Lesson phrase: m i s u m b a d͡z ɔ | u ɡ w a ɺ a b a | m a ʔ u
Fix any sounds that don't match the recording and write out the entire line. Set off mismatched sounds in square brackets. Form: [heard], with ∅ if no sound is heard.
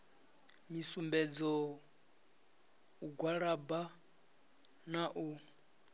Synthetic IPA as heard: m i s u m b [ɛ] d͡z ɔ | u ɡ w a ɺ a b a | [n] a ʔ u